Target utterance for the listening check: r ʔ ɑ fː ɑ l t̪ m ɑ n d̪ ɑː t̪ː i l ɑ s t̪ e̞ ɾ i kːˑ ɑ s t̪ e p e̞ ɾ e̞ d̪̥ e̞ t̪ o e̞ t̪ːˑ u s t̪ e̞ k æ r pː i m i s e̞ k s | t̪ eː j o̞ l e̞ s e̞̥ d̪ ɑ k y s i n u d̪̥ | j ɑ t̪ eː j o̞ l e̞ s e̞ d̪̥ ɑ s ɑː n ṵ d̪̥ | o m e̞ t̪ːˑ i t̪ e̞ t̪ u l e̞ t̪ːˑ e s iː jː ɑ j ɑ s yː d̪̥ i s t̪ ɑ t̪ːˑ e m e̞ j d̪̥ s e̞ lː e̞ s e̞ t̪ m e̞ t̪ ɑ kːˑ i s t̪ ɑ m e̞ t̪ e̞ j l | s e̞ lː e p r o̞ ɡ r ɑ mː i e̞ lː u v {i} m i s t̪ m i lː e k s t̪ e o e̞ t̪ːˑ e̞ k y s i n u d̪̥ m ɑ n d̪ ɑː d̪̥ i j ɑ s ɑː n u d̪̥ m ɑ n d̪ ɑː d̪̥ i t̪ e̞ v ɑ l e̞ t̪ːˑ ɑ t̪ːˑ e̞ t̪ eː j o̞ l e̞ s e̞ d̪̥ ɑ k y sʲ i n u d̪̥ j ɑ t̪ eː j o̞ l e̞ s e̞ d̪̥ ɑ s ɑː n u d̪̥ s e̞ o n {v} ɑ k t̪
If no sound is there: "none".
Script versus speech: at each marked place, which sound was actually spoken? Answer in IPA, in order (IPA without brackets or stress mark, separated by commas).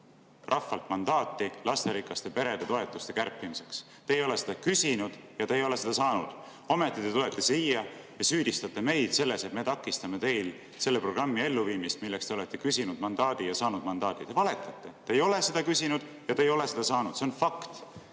iː, f